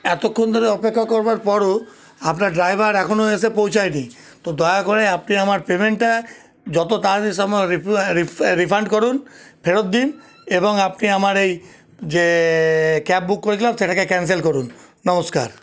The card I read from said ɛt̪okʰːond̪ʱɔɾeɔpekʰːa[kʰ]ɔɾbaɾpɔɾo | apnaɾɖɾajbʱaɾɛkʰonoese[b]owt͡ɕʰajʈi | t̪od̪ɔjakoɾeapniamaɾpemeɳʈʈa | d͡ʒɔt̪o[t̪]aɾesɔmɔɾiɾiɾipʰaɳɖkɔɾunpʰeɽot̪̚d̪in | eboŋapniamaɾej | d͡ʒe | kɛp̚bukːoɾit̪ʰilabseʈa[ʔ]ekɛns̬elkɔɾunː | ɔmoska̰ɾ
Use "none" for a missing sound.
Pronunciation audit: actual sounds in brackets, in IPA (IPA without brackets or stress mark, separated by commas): k, p, t̪, k